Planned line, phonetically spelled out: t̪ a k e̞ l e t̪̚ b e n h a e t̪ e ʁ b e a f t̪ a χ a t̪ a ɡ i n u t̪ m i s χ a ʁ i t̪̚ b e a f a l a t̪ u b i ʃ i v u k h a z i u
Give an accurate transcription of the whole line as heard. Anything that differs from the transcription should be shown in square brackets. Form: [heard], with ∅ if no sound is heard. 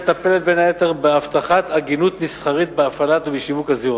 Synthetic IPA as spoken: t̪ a [p] e̞ l e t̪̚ b e n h a e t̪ e ʁ b e a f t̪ a χ a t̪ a ɡ i n u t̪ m i s χ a ʁ i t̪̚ b e a f a l a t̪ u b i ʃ i v u k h a z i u